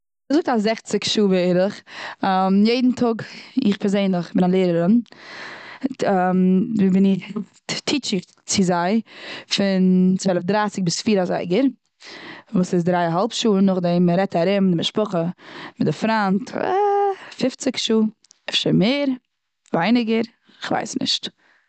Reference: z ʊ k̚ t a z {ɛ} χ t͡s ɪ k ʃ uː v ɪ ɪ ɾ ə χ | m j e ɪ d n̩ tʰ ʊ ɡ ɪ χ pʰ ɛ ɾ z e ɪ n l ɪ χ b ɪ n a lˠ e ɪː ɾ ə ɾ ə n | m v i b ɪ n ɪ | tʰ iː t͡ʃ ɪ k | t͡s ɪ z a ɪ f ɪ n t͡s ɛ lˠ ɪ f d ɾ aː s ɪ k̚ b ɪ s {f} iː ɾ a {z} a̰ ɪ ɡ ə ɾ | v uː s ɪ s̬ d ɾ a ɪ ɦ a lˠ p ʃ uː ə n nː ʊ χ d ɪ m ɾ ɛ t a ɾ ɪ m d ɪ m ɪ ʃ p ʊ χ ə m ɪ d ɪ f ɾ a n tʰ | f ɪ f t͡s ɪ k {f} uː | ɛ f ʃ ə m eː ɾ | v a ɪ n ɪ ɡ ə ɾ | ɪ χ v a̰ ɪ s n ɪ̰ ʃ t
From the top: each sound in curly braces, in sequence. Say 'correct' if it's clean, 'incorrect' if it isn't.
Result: correct, correct, correct, incorrect: ʃ

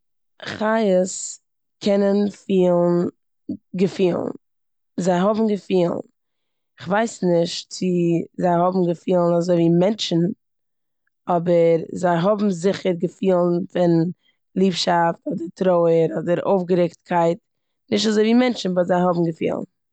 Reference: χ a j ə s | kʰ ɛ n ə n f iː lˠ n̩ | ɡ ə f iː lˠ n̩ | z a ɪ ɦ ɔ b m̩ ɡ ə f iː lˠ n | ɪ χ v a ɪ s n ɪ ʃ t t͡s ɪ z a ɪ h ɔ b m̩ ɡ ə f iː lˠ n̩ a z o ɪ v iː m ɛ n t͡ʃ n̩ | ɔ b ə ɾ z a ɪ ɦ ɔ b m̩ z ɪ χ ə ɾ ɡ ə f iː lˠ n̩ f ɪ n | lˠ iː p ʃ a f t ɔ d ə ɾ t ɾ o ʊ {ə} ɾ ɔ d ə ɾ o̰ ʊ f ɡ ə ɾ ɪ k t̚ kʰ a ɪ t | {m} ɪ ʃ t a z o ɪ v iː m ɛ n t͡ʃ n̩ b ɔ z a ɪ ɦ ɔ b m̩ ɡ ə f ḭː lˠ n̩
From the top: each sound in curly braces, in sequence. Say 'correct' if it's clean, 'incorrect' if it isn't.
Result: correct, incorrect: n

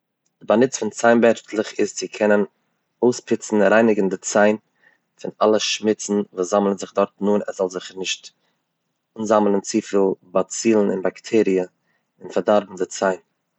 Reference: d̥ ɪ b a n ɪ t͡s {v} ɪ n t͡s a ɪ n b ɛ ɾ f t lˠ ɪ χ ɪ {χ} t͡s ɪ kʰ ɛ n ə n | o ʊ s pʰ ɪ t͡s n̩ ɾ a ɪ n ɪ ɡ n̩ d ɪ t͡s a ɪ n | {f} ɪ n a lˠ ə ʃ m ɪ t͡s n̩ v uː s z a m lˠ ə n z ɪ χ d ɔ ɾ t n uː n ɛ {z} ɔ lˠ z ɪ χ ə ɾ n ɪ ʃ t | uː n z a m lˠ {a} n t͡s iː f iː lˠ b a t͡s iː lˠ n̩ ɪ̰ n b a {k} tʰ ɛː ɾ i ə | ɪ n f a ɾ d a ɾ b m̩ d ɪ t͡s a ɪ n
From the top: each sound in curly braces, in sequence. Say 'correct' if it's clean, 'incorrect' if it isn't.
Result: incorrect: f, incorrect: s, correct, correct, incorrect: ə, correct

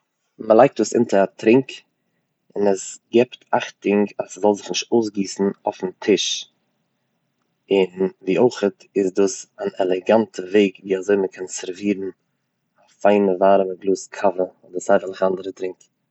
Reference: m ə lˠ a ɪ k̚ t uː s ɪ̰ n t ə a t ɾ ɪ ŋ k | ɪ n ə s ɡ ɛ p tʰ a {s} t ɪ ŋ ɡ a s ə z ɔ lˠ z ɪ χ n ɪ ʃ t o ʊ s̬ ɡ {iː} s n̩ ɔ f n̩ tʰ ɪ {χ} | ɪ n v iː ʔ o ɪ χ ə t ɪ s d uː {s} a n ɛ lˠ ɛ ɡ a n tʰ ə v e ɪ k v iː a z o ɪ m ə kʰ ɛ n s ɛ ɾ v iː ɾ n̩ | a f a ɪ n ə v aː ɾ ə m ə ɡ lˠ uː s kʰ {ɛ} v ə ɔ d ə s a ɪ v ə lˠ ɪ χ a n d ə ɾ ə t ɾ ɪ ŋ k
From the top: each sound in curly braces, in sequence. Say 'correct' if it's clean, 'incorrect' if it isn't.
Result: incorrect: χ, correct, incorrect: ʃ, correct, incorrect: a

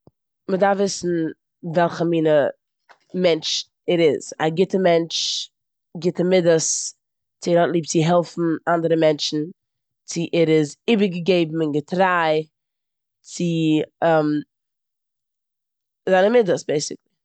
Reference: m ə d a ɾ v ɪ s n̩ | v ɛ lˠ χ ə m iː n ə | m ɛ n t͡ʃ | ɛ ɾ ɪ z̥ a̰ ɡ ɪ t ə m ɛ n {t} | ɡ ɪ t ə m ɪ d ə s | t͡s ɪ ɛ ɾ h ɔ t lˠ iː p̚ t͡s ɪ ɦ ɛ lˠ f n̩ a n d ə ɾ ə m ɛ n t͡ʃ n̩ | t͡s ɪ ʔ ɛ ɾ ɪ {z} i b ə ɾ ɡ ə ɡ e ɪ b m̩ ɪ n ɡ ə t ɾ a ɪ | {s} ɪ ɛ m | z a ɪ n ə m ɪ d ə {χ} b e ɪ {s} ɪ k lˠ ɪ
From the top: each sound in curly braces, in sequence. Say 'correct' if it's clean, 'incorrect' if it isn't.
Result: incorrect: t͡ʃ, correct, incorrect: t͡s, incorrect: s, correct

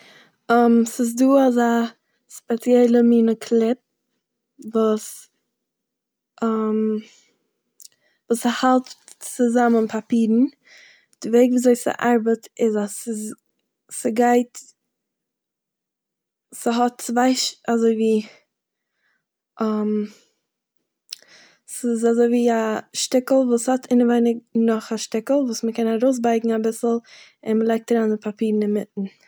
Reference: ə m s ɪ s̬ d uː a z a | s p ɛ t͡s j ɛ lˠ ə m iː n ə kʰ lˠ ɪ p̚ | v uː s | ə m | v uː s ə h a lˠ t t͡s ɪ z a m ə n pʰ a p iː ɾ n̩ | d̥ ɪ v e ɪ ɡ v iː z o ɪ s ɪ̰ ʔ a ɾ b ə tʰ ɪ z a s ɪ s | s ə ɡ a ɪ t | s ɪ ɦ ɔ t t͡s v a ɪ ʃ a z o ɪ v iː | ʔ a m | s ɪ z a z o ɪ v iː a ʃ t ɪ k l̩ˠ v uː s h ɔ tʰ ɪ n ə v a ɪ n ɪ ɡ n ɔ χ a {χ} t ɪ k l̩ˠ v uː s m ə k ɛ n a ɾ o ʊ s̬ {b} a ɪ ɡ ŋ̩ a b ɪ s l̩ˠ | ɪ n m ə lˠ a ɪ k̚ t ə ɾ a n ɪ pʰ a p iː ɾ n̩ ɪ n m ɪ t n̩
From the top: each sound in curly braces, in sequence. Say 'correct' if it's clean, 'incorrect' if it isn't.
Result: incorrect: ʃ, correct

